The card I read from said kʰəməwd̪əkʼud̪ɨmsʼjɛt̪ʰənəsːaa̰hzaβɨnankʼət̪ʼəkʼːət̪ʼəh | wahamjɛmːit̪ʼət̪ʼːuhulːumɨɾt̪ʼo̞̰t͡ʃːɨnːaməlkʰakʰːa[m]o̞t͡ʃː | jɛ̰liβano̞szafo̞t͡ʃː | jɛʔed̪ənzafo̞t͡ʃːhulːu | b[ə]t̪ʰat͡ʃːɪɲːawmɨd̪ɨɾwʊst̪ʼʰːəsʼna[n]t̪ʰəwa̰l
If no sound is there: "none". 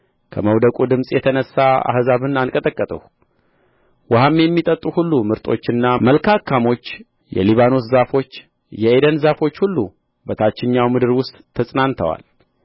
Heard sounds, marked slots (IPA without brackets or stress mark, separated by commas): m, ə, n